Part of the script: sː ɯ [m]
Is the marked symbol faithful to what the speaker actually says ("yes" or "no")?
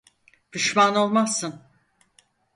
no